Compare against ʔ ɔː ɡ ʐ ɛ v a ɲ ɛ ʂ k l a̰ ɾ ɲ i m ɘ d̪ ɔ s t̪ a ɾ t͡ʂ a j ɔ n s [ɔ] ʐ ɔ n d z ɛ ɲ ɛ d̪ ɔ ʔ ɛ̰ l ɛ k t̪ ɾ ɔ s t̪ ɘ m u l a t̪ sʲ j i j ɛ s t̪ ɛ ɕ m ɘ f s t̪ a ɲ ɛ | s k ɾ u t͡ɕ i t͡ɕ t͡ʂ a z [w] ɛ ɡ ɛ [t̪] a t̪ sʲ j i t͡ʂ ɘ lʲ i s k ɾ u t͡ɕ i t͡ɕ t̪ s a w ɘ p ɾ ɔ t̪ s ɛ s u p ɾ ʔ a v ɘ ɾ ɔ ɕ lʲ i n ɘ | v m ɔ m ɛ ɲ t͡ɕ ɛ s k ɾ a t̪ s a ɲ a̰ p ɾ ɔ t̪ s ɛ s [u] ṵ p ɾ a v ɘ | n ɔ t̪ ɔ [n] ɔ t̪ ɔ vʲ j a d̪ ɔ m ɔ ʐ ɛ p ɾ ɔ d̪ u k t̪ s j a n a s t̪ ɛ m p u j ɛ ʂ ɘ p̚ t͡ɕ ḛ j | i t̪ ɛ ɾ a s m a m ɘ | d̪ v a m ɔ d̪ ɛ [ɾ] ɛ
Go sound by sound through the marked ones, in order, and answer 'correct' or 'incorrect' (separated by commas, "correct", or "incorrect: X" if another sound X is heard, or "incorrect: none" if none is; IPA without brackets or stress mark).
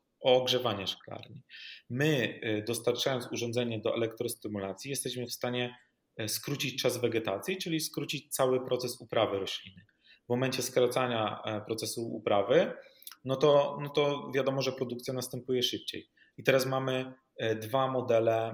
incorrect: u, incorrect: v, correct, correct, correct, incorrect: l